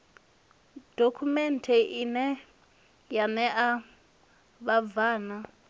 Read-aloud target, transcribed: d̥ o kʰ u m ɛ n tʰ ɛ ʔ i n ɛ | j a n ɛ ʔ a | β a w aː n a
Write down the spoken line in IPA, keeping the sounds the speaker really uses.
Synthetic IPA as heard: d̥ o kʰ u m ɛ n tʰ ɛ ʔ i n ɛ | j a n ɛ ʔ a | β a v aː n a